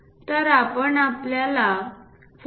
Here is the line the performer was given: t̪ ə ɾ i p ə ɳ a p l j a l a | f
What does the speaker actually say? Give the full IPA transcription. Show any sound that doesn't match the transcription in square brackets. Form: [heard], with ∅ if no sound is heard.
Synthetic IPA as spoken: t̪ ə ɾ [a] p ə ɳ a p l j a l a | f